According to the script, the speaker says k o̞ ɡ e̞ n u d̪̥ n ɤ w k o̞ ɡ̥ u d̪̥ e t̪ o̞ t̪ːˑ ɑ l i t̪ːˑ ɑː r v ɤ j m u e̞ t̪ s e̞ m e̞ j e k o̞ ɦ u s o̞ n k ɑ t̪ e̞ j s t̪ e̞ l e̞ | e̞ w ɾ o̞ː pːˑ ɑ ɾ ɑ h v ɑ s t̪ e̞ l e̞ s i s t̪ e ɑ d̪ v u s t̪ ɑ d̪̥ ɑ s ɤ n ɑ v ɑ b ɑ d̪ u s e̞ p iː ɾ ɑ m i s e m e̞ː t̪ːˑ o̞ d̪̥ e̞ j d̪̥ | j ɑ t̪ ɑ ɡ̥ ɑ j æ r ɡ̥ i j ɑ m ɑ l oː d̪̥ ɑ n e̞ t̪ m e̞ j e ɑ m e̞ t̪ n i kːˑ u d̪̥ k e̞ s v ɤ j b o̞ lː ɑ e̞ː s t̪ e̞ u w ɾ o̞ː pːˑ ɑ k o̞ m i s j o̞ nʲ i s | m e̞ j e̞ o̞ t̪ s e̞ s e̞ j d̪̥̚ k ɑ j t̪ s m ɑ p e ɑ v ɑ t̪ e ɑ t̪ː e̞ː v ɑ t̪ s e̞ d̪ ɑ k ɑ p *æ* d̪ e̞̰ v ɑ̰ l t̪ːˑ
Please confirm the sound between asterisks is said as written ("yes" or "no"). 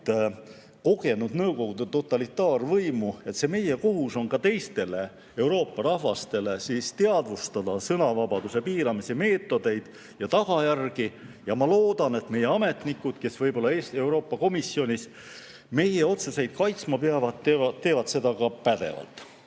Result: yes